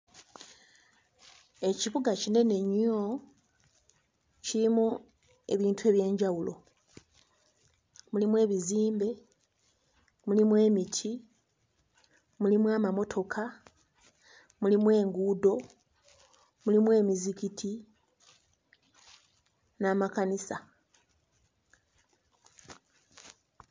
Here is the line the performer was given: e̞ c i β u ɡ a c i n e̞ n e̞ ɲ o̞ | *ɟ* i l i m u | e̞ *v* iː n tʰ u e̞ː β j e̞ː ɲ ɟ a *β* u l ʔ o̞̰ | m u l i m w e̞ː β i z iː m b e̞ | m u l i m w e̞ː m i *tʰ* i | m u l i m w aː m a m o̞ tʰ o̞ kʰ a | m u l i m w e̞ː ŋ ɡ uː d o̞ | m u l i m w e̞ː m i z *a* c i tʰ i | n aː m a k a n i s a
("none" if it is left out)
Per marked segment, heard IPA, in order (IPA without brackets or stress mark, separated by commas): c, β, w, tʰ, i